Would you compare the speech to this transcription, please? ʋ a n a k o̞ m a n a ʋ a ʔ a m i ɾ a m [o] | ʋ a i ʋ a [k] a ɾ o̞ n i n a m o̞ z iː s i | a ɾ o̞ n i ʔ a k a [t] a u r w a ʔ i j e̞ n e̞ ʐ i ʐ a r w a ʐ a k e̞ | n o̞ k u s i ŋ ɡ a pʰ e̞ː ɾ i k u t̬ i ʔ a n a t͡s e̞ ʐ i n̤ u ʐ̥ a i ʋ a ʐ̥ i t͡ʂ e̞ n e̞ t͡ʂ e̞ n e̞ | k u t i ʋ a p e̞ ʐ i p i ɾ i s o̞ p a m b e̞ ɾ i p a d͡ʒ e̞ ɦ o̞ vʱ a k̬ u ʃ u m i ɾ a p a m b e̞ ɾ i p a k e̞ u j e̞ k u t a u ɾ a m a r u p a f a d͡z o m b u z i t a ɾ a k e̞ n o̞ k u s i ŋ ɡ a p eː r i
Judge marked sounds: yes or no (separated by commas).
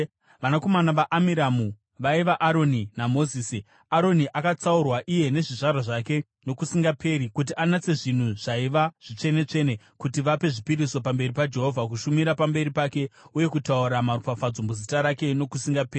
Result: no, no, no